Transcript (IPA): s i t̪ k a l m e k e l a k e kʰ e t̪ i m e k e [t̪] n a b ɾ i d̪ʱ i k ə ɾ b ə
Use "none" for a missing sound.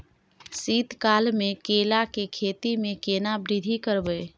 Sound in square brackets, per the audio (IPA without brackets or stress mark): none